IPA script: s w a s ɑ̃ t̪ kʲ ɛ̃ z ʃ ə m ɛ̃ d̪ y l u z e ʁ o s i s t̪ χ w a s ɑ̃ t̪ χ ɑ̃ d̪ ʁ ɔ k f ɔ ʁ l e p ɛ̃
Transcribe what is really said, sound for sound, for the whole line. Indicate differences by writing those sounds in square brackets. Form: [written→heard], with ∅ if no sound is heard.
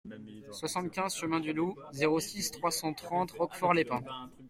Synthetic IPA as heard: s w a s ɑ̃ t̪ kʲ ɛ̃ z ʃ ə m ɛ̃ d̪ y l u z e ʁ o s i s t̪ χ w a s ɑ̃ t̪ χ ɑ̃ [d̪→t̪] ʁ ɔ k f ɔ ʁ l e p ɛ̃